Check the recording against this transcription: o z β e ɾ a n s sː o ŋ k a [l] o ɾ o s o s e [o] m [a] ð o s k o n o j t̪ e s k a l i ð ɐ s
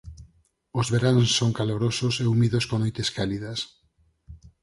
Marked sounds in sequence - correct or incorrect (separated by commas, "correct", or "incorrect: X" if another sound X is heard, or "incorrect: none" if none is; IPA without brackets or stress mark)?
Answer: correct, incorrect: u, incorrect: i